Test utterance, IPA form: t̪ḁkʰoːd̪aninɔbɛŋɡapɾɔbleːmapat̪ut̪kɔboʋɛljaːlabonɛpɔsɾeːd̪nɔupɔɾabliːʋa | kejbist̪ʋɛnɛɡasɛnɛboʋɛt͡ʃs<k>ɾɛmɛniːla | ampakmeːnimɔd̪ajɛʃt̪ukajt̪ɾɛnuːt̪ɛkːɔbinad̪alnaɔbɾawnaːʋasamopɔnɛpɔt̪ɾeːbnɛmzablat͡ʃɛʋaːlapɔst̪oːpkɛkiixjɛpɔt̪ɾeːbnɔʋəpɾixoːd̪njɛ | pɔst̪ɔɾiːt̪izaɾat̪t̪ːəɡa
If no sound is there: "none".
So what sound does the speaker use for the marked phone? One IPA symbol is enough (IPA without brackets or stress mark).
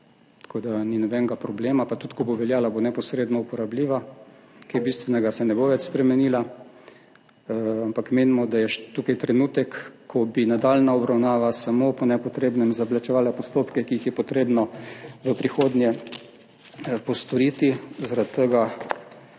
p